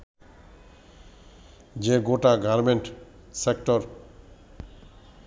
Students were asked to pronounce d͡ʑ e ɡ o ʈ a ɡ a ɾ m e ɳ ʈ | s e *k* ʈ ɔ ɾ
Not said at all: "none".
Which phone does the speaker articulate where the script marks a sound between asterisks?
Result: k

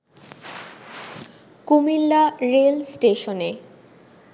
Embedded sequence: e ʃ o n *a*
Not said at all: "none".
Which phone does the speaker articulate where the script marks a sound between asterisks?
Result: e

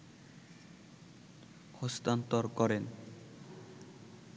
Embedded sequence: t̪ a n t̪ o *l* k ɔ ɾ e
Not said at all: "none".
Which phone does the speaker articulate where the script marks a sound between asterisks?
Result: ɾ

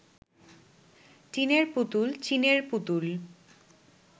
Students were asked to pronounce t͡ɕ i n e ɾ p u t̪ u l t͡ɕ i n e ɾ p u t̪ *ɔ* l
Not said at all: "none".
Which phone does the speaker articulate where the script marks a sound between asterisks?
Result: u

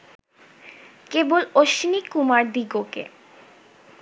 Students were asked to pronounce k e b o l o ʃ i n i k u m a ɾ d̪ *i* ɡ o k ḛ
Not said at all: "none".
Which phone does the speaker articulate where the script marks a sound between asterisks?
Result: i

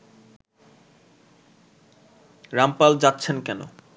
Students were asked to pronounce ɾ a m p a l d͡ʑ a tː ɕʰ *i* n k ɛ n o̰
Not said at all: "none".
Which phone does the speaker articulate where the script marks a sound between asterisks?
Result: e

